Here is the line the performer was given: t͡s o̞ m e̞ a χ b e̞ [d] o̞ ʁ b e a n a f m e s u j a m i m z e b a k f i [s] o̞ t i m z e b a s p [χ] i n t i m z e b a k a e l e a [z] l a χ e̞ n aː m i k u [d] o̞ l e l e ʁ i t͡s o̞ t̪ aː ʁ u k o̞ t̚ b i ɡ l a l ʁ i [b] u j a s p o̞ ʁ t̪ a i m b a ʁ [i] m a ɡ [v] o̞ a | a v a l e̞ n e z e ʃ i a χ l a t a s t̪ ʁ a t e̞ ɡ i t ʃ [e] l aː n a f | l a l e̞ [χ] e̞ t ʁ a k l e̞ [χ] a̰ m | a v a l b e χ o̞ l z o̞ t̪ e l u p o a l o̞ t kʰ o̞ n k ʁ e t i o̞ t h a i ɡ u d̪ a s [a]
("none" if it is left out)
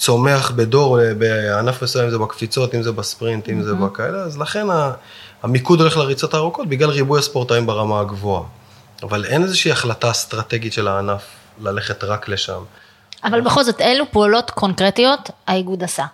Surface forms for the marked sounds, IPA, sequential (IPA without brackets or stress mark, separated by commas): d, t͡s, ʁ, z, d, b, a, v, e, χ, ʃ, a